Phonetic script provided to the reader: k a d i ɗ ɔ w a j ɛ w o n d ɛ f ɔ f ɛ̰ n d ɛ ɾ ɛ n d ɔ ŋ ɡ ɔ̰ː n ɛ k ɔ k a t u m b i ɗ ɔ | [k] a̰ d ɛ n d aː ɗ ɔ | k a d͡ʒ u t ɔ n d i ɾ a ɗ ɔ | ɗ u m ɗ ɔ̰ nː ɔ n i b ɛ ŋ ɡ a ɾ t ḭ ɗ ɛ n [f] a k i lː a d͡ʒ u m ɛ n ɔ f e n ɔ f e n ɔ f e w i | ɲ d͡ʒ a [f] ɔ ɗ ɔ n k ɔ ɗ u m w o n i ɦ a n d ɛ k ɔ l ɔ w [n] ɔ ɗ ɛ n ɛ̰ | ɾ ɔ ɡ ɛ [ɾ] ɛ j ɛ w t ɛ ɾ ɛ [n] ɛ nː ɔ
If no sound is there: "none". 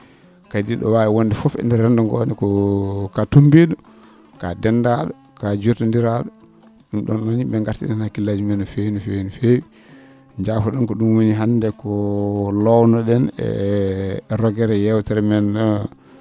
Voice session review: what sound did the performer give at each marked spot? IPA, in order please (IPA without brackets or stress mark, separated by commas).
k, h, f, n, ɾ, m